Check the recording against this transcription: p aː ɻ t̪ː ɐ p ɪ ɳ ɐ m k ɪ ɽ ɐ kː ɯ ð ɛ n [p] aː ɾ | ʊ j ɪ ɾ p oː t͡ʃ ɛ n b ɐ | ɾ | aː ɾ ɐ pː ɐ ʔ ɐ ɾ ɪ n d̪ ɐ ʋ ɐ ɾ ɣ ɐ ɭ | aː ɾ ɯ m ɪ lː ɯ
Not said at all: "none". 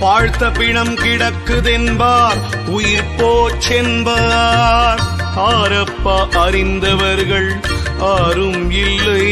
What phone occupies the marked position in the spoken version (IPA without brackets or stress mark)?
b